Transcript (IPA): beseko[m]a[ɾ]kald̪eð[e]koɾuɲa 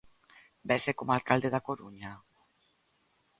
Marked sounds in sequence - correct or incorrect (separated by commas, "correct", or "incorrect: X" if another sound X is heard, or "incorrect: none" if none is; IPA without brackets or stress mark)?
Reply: correct, incorrect: l, incorrect: a